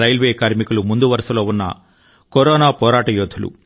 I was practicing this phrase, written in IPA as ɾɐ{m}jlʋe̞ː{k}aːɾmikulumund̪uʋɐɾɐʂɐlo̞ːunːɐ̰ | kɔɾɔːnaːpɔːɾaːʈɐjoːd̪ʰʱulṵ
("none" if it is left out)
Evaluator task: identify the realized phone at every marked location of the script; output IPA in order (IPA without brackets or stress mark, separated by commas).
none, k